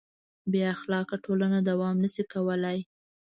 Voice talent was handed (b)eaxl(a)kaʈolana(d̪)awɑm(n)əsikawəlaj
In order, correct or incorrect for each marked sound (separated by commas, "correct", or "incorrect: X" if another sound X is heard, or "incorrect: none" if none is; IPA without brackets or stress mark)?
correct, incorrect: ɑ, correct, correct